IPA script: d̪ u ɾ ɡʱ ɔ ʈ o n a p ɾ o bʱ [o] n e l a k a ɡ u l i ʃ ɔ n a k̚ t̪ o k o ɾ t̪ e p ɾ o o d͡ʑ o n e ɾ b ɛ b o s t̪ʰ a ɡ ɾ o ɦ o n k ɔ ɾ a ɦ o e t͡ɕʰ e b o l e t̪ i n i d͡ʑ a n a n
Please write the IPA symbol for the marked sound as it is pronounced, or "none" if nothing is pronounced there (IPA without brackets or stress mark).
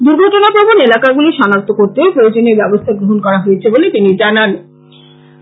o